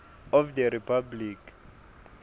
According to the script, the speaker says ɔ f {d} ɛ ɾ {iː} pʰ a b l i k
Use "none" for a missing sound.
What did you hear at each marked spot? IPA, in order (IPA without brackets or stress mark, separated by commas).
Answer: d, i